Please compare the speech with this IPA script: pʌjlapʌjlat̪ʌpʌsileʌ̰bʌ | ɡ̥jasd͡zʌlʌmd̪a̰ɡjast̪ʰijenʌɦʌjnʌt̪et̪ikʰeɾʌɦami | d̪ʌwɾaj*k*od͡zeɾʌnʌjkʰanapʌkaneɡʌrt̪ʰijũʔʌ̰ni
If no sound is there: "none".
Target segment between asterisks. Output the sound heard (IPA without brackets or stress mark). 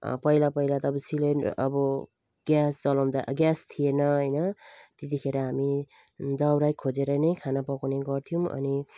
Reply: kʰ